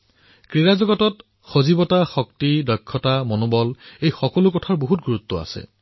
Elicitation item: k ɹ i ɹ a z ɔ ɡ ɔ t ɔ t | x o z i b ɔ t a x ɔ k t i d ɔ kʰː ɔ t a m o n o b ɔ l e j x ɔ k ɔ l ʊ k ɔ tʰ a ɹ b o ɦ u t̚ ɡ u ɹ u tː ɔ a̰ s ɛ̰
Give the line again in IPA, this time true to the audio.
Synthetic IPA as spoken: k ɹ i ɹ a z ɔ ɡ ɔ t ɔ t | x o z i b ɔ t a x ɔ k t i d ɔ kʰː ɔ t a m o n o b ɔ l e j x ɔ k ɔ l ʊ k ɔ tʰ a ɹ b o ɦ u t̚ ɡ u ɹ u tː ɔ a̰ s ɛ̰